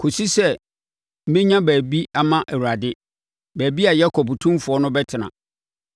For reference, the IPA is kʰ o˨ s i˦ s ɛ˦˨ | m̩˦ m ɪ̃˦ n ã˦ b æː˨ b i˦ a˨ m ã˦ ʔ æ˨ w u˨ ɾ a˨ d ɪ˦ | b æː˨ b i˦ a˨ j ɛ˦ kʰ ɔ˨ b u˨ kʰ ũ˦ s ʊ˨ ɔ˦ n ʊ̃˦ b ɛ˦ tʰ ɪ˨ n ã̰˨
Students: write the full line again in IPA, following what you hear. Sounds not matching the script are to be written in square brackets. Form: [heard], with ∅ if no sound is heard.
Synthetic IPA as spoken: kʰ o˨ s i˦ s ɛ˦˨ | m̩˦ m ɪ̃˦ [ɲ] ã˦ b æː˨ b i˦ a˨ m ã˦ ʔ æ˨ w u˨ ɾ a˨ d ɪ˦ | b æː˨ b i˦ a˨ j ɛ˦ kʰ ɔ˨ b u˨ [tʰ] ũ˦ [f] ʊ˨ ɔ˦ n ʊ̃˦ b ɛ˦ tʰ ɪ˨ n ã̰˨